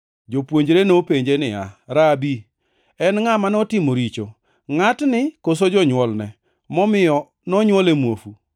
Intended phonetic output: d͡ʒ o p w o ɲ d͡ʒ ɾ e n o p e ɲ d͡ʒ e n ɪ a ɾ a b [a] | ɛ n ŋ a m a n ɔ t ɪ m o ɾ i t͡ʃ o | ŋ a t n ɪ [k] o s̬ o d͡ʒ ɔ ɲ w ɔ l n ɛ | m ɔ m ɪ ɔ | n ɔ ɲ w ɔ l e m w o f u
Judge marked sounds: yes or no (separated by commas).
no, yes